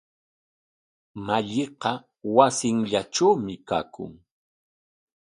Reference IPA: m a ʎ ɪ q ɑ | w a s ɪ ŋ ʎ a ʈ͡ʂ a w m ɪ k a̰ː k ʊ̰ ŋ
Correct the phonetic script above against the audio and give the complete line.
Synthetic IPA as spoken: m a ʎ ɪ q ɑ | w a s ɪ ŋ ʎ a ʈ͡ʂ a w m ɪ k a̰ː k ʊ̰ ŋ